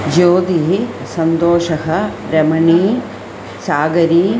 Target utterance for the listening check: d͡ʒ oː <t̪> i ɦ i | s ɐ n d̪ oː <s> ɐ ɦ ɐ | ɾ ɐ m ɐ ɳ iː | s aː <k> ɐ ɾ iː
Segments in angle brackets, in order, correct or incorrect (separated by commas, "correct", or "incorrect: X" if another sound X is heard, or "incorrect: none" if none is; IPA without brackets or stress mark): incorrect: d̪, incorrect: ʃ, incorrect: ɡ